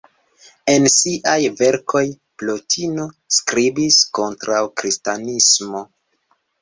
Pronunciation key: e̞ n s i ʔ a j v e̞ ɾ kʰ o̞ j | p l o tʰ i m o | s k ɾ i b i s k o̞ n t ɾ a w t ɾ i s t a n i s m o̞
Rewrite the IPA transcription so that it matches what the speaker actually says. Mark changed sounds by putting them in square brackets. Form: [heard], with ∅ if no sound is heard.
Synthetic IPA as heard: e̞ n s i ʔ a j v e̞ ɾ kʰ o̞ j | p l o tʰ i [n] o | s k ɾ i b i s k o̞ n t ɾ a w [k] ɾ i s t a n i s m o̞